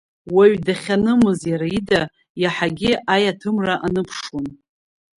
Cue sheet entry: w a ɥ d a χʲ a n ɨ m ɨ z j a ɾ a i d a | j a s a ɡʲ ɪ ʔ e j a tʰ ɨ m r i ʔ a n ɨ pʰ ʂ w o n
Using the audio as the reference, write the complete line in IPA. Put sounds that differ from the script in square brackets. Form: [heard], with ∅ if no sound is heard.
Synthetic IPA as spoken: w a ɥ d a χʲ a n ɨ m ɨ z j a ɾ a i d a | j a [ħ] a ɡʲ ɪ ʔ [a] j a tʰ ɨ m r [a] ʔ a n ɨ pʰ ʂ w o n